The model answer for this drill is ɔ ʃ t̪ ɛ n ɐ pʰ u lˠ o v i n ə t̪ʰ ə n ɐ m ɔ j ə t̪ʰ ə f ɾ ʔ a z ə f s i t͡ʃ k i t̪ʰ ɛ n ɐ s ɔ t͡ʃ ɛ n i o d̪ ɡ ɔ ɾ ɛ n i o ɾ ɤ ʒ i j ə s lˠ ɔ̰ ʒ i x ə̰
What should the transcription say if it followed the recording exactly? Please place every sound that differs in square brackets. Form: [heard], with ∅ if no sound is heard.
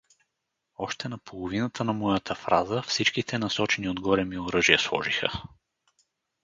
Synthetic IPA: ɔ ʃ t̪ ɛ n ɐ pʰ [o] lˠ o v i n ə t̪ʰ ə n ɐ m ɔ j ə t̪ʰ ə f ɾ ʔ a z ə f s i t͡ʃ k i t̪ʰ ɛ n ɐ s ɔ t͡ʃ ɛ n i o d̪ ɡ ɔ ɾ ɛ [m] i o ɾ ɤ ʒ i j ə s lˠ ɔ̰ ʒ i x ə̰